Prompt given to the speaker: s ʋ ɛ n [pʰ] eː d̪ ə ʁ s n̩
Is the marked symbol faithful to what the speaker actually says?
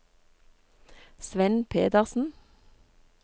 yes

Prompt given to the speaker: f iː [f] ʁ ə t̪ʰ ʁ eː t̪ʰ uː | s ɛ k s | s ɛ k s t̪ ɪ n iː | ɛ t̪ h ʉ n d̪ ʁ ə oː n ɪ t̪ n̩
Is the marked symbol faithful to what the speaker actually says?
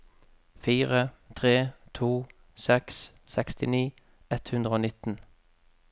no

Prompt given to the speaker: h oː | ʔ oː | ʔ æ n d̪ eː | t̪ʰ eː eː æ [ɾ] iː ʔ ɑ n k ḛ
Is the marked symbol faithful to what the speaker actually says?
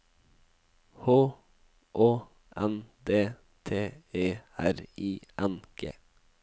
yes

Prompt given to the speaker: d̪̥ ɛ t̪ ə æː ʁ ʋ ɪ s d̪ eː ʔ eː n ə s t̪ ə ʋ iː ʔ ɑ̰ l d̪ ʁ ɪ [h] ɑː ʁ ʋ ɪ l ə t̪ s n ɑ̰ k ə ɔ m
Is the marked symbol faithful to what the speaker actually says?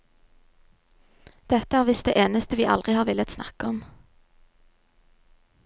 yes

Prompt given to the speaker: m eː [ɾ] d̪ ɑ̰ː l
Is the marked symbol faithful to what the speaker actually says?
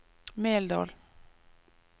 no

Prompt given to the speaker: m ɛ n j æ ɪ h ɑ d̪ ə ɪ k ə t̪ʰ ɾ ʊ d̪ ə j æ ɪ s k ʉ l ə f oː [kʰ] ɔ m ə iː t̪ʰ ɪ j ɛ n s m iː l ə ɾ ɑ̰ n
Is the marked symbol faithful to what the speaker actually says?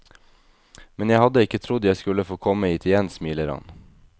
yes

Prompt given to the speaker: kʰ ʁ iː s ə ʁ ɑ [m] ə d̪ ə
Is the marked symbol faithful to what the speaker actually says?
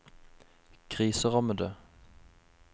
yes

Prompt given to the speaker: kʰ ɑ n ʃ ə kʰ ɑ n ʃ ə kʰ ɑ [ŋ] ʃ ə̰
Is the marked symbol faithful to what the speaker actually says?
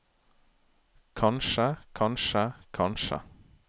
no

